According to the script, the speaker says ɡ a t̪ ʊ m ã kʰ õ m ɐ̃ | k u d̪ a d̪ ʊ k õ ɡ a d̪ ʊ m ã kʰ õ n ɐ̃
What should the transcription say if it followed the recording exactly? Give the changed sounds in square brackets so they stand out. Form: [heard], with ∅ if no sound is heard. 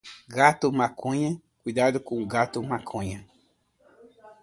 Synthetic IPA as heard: ɡ a t̪ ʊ m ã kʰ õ [ɲ] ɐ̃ | k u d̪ a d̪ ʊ k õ ɡ a [t̪] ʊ m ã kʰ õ [ɲ] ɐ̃